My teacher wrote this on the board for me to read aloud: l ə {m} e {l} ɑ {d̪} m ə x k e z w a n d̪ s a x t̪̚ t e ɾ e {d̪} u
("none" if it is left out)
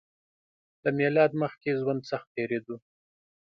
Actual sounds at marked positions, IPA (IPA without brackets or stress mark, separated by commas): m, l, d̪, d̪